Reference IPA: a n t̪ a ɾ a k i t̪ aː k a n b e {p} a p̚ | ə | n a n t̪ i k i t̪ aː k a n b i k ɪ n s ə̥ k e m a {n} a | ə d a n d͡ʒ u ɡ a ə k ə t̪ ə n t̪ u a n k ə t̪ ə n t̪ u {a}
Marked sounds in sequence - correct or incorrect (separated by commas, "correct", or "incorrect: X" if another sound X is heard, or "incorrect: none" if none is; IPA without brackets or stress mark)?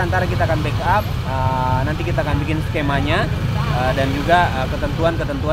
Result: incorrect: k, incorrect: ɲ, correct